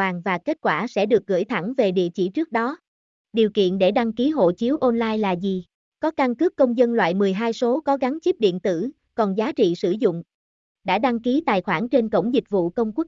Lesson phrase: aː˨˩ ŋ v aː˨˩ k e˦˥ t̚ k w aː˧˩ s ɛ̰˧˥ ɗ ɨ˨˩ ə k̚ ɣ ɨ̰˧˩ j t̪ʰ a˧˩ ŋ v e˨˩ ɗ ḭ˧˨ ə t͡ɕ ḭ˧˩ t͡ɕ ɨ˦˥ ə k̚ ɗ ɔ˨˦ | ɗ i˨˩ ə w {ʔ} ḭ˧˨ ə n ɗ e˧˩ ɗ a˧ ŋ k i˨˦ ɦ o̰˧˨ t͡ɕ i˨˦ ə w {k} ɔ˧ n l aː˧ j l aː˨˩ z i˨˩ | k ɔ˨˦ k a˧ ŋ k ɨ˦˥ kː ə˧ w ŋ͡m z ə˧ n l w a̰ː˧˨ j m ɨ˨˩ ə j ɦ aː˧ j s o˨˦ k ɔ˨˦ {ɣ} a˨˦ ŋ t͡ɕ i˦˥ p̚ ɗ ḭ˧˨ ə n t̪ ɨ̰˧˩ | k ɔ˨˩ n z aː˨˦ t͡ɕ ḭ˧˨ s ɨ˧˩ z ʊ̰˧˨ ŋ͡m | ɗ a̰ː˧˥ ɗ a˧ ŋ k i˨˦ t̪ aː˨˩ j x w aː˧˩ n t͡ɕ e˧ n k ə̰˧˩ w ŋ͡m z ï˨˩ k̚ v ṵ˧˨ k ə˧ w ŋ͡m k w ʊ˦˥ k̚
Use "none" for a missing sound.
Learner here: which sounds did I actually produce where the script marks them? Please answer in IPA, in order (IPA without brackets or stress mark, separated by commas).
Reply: k, ʔ, ɣ